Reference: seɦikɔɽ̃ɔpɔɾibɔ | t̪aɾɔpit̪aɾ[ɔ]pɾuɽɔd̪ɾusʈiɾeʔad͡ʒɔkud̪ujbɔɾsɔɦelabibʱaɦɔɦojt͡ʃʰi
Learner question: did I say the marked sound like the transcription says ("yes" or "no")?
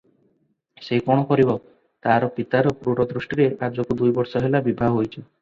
yes